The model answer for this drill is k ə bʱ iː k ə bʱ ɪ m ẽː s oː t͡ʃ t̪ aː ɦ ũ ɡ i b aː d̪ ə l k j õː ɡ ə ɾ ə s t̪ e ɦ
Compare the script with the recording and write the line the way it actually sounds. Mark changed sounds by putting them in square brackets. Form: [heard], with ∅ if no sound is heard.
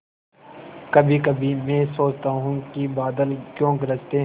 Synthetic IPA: k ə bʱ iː k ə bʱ [i] m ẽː s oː t͡ʃ t̪ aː ɦ ũ [k] i b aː d̪ ə l k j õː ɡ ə ɾ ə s t̪ e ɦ